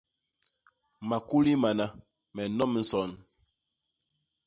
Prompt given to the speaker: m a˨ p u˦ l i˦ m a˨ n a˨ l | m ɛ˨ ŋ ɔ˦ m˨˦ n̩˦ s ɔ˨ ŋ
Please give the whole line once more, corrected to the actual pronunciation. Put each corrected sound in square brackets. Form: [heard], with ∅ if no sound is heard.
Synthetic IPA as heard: m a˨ [k] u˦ l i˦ m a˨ n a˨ [∅] | m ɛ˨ [n] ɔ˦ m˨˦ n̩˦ s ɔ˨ [n]